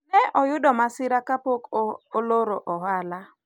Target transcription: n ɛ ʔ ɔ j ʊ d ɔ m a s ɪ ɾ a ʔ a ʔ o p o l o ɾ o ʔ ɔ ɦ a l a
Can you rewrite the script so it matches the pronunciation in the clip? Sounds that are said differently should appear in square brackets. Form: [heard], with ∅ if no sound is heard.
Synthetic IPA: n ɛ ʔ ɔ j ʊ d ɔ m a s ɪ ɾ a [k] a [p] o [k] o l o ɾ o ʔ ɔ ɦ a l a

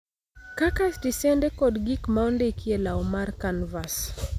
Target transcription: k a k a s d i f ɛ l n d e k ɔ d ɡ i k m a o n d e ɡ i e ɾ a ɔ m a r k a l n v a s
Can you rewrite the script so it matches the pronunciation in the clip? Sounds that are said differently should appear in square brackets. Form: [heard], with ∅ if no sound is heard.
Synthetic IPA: k a k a s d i [s] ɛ [∅] n d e k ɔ d ɡ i k m a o n d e [k] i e [l] a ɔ m a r k a [∅] n v a s

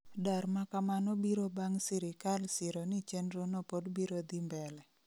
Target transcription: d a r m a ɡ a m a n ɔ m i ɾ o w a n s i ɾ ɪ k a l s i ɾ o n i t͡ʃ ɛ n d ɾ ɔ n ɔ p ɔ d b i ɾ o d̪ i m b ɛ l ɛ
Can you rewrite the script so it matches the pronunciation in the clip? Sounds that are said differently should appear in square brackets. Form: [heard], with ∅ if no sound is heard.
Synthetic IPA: d a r m a [k] a m a n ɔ [b] i ɾ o [b] a [ŋ] s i ɾ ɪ k a l s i ɾ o n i t͡ʃ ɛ n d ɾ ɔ n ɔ p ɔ d b i ɾ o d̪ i m b ɛ l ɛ

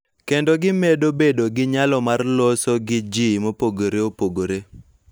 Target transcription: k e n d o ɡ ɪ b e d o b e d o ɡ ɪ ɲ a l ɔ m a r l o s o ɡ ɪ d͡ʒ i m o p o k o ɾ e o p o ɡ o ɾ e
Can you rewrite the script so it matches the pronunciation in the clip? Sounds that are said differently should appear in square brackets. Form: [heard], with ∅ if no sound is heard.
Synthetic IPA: k e n d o ɡ ɪ [m] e d o b e d o ɡ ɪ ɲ a l ɔ m a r l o s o ɡ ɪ d͡ʒ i m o p o [ɡ] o ɾ e o p o ɡ o ɾ e

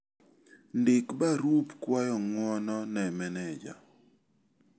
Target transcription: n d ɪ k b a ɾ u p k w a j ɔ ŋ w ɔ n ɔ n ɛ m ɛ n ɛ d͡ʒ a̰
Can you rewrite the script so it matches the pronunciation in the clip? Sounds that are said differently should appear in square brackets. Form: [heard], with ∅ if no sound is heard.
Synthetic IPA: n d ɪ k b a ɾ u p k w a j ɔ ŋ w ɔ n ɔ n ɛ m ɛ n ɛ d͡ʒ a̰

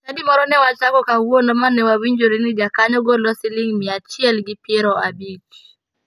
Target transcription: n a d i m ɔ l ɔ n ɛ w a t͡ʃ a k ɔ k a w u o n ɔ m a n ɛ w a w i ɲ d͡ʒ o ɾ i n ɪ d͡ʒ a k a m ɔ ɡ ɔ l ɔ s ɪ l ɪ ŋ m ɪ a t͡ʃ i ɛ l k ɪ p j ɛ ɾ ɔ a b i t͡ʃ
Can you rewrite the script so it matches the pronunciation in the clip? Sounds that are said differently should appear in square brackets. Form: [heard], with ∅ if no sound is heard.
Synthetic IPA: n a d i m ɔ [ɾ] ɔ n ɛ w a t͡ʃ a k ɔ k a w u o n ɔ m a n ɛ w a w i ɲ d͡ʒ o ɾ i n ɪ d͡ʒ a k a [ɲ] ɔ ɡ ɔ l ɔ s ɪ l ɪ ŋ m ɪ a t͡ʃ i ɛ l [ɡ] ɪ p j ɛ ɾ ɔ a b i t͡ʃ

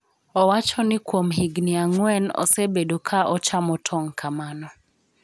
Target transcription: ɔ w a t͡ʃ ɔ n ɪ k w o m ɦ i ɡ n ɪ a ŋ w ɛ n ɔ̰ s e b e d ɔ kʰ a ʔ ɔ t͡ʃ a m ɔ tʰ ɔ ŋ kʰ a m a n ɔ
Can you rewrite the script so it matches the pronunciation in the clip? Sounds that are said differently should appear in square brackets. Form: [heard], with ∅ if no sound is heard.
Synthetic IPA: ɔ w a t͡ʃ ɔ n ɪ k w o m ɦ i ɡ n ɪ a ŋ w ɛ n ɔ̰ s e b e d [o] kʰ a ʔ ɔ t͡ʃ a m ɔ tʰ ɔ ŋ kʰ a m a n ɔ

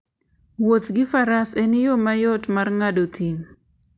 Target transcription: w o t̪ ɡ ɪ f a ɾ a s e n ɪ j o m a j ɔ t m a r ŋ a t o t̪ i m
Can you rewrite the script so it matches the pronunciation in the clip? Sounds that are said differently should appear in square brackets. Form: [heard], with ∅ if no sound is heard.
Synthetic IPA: w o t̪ ɡ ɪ f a ɾ a s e n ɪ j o m a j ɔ t m a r ŋ a [d] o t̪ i [ŋ]

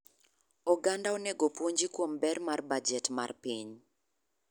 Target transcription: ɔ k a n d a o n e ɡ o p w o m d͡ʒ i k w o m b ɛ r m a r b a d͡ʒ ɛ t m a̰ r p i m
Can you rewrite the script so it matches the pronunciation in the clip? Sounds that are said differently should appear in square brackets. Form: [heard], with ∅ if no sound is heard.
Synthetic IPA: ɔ [ɡ] a n d a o n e ɡ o p w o [ɲ] d͡ʒ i k w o m b ɛ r m a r b a d͡ʒ ɛ t m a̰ r p i [ɲ]

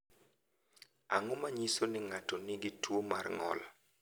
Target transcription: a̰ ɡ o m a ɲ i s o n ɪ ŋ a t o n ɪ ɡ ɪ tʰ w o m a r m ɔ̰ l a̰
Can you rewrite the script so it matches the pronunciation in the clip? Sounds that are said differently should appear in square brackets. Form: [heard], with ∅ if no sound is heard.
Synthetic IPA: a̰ [ŋ] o m a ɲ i s o n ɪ ŋ a t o n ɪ ɡ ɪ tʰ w o m a r [ŋ] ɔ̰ l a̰

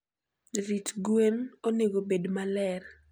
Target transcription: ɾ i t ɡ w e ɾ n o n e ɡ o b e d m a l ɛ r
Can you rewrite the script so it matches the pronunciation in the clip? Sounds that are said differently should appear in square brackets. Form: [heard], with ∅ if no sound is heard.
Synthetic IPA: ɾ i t ɡ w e [∅] n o n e ɡ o b e d m a l ɛ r

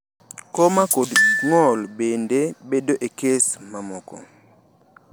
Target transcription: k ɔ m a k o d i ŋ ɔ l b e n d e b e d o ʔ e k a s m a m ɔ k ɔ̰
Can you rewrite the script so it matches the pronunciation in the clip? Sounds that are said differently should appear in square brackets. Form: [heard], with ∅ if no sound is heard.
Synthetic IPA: k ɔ m a k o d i ŋ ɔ l b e n d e b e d o ʔ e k [e] s m a m ɔ k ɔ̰

